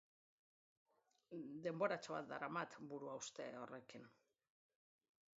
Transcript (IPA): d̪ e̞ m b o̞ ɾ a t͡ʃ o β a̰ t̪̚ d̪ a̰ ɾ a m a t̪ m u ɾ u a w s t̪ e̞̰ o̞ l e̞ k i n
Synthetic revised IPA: d̪ e̞ m b o̞ ɾ a t͡ʃ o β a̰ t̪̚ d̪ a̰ ɾ a m a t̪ b u ɾ u a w s t̪ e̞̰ o̞ r e̞ k i n